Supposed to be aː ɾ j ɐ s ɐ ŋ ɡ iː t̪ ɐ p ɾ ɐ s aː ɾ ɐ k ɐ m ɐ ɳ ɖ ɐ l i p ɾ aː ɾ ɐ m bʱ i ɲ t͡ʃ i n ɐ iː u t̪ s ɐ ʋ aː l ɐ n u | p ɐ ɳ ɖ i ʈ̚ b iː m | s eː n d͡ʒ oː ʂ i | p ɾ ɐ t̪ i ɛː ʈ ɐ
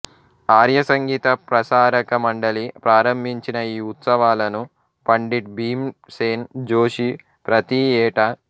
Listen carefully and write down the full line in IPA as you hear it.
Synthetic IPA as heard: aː ɾ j ɐ s ɐ ŋ ɡ iː t̪ ɐ p ɾ ɐ s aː ɾ ɐ k ɐ m ɐ ɳ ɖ ɐ l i p ɾ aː ɾ ɐ m bʱ i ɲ t͡ʃ i n ɐ iː u t̪ s ɐ ʋ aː l ɐ n u | p ɐ ɳ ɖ i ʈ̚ b iː m | s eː n d͡ʒ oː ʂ i | p ɾ ɐ t̪ i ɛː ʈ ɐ